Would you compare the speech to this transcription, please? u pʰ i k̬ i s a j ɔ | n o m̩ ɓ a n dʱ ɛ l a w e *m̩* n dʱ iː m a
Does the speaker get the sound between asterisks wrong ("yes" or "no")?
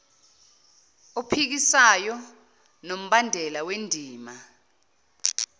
yes